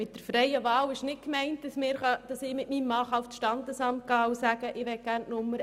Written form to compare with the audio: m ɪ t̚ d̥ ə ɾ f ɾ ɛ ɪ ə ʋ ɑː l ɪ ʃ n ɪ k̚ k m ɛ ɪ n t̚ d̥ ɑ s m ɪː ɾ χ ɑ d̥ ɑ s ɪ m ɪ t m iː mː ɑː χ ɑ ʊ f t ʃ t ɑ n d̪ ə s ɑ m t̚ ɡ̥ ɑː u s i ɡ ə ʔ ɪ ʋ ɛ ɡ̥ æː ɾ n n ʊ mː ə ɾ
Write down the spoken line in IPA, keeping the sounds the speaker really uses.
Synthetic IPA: m ɪ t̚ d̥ ə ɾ f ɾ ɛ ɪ ə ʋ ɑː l ɪ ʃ n ɪ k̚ k m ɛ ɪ n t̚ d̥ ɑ s m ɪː ɾ χ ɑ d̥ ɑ s ɪ m ɪ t m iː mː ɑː χ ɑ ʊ f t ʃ t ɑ n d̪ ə s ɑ m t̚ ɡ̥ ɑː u s æ ɡ ə ʔ ɪ ʋ ɛ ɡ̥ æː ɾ n n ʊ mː ə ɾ